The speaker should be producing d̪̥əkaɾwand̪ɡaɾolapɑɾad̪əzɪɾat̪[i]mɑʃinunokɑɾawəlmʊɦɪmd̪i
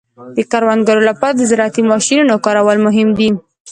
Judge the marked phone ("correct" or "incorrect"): correct